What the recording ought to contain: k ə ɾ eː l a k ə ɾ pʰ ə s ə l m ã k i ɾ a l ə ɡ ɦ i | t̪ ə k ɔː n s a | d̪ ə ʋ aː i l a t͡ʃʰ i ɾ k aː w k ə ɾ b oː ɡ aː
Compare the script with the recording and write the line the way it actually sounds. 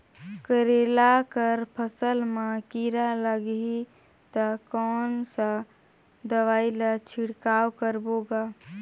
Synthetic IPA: k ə ɾ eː l a k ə ɾ pʰ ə s ə l m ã k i ɾ a l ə ɡ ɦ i | t̪ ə k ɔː n s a | d̪ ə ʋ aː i l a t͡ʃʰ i ɽ k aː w k ə ɾ b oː ɡ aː